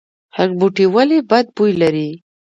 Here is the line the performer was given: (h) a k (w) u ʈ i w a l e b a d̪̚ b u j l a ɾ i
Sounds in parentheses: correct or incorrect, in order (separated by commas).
correct, incorrect